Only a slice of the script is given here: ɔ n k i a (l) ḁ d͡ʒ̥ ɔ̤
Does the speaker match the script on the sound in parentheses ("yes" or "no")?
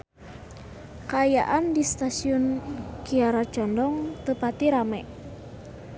no